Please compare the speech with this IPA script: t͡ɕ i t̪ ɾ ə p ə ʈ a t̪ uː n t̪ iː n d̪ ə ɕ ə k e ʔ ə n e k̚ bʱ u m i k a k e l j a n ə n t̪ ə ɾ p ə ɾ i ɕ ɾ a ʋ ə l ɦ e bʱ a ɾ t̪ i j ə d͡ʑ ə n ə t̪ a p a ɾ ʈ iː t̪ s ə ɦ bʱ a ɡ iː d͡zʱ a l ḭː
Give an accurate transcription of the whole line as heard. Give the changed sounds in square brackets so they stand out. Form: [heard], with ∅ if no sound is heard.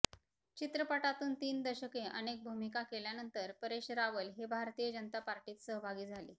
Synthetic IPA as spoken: t͡ɕ i t̪ ɾ ə p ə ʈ a t̪ uː n t̪ iː n d̪ ə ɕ ə k e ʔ ə n e k̚ bʱ u m i k a k e l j a n ə n t̪ ə ɾ p ə ɾ [e] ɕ ɾ a ʋ ə l ɦ e bʱ a ɾ t̪ i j ə d͡ʑ ə n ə t̪ a p a ɾ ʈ iː t̪ s ə ɦ bʱ a ɡ iː d͡zʱ a l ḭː